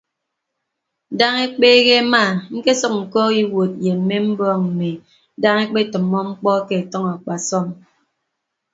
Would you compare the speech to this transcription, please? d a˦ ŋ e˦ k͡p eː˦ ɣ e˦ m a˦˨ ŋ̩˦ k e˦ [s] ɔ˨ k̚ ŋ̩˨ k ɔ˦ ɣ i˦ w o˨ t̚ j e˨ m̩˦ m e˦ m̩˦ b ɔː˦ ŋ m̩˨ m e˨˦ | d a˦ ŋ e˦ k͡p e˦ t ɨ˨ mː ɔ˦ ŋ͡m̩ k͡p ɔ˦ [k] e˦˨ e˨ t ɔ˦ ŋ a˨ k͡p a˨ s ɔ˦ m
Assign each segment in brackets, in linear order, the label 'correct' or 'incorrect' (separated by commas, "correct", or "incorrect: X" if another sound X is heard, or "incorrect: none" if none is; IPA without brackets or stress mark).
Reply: correct, correct